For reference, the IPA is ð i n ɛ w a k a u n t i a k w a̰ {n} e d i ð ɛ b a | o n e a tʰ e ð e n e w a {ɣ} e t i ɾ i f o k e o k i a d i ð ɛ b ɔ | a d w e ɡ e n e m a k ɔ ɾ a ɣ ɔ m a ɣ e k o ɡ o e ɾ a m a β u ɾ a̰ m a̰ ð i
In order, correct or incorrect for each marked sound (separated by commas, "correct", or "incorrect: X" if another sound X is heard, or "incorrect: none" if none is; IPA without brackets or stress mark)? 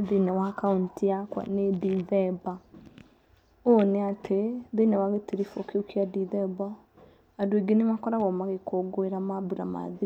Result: correct, correct